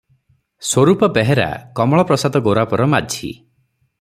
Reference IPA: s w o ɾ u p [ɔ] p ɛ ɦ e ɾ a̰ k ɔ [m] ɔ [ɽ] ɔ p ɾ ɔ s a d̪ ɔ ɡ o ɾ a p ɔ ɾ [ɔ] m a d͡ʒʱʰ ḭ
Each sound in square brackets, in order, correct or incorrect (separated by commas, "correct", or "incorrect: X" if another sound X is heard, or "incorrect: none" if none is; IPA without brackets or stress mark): correct, correct, incorrect: ɭ, correct